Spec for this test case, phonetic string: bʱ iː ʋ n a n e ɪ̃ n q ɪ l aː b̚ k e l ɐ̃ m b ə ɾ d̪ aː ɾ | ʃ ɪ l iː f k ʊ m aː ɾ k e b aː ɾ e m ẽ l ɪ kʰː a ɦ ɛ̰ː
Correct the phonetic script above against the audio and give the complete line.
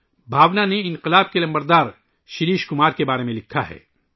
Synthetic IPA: bʱ aː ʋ n a n e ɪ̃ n q ɪ l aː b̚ k e l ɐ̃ m b ə ɾ d̪ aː ɾ | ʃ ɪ ɾ iː ʃ k ʊ m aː ɾ k e b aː ɾ e m ẽ l ɪ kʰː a ɦ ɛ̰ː

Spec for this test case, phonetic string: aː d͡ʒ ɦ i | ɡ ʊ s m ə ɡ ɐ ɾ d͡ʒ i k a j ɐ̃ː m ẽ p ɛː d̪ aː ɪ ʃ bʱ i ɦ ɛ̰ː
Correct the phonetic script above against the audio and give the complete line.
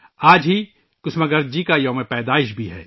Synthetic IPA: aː d͡ʒ ɦ i | k ʊ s m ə ɡ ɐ ɾ d͡ʒ i k a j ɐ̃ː m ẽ p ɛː d̪ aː ɪ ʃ bʱ i ɦ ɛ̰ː

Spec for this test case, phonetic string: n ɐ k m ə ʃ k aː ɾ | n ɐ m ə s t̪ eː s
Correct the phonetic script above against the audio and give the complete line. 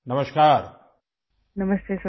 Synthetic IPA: n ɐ m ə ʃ k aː ɾ | n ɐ m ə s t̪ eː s

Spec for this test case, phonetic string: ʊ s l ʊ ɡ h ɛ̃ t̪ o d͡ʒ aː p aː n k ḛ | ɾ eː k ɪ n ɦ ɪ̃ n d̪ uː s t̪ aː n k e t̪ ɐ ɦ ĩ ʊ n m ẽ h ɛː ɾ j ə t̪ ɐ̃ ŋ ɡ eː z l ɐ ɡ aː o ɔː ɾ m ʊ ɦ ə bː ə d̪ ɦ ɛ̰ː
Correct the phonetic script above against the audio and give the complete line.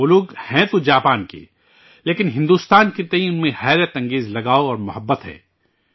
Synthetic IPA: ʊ l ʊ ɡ h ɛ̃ t̪ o d͡ʒ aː p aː n k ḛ | l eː k ɪ n ɦ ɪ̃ n d̪ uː s t̪ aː n k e t̪ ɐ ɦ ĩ ʊ n m ẽ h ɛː ɾ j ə t̪ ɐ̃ ŋ ɡ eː z l ɐ ɡ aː o ɔː ɾ m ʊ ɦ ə bː ə t̪ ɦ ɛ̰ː

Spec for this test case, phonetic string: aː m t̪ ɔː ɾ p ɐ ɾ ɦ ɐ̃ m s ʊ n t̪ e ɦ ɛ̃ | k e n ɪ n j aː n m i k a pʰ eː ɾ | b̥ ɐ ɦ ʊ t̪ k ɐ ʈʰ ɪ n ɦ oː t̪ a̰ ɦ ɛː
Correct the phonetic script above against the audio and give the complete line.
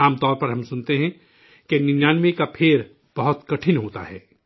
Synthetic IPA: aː m t̪ ɔː ɾ p ɐ ɾ ɦ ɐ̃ m s ʊ n t̪ e ɦ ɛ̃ | k e n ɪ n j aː n m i k a pʰ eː ɾ | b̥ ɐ ɦ ʊ t̪ k ɐ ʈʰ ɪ n ɦ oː t̪ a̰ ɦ ɛː

